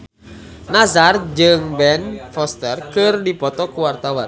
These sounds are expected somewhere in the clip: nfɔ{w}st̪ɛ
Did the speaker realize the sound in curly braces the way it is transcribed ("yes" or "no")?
no